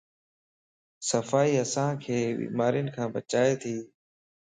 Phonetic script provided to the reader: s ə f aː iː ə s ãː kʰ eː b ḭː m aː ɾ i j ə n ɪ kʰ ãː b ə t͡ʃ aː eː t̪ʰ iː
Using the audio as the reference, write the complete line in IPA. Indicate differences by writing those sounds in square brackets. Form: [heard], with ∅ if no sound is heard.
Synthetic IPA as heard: s ə f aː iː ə s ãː kʰ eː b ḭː m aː ɾ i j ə n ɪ kʰ ãː b ə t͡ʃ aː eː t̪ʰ iː